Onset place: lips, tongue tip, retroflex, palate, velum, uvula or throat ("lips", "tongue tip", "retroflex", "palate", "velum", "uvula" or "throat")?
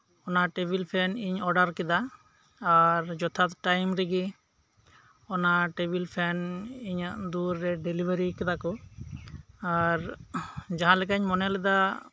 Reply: tongue tip